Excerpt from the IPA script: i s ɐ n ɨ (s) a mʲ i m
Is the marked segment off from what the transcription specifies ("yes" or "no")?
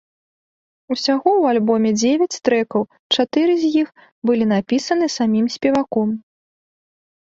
no